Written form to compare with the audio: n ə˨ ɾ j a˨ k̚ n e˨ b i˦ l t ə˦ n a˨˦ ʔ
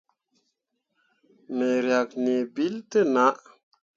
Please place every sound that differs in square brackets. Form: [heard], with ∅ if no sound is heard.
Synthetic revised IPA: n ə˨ ɾ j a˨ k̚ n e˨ b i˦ l t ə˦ n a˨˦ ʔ